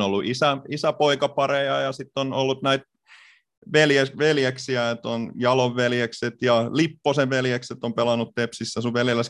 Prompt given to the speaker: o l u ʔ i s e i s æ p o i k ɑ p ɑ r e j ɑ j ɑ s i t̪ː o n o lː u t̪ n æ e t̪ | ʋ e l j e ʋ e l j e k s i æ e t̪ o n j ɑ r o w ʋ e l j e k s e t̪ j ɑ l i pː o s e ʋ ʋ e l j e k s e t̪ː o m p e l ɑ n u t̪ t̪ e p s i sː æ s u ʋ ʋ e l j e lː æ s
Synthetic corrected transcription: o lː u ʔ i s æ i s æ p o i k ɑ p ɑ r e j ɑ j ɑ s i t̪ː o n o lː u t̪ n æ i t̪ | ʋ e l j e ʋ e l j e k s i æ e t̪ o n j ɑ l o ʋ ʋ e l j e k s e t̪ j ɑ l i pː o s e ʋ ʋ e l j e k s e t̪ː o m p e l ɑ n u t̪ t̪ e p s i sː æ s u ʋ ʋ e l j e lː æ s